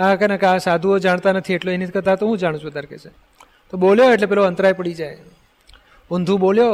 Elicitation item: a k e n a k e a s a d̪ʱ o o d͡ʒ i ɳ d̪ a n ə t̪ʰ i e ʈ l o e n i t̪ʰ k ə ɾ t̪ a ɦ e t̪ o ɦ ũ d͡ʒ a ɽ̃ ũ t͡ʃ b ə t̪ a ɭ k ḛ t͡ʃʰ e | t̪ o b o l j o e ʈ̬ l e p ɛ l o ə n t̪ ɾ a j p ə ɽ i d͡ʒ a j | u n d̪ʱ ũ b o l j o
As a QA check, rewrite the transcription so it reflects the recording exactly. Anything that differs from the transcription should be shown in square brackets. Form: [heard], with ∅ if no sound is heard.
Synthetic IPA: a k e n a k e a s a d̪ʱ [u] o d͡ʒ [a] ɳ [t̪] a n ə t̪ʰ i e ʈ l o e n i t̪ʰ k ə ɾ t̪ a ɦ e t̪ o ɦ ũ d͡ʒ a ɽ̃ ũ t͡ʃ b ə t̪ a [ɾ] k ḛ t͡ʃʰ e | t̪ o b o l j o e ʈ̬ l e p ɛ l o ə n t̪ ɾ a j p ə ɽ i d͡ʒ a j | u n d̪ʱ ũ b o l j o